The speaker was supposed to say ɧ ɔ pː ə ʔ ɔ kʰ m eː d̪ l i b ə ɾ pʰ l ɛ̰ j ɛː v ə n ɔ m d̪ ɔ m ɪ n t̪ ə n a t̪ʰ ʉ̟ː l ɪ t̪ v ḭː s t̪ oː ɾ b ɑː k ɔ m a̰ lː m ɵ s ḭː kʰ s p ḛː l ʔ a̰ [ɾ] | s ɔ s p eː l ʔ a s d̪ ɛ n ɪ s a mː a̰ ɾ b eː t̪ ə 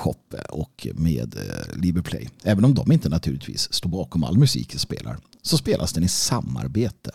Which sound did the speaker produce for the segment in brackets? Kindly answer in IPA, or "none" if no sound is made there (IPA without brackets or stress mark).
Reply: ɾ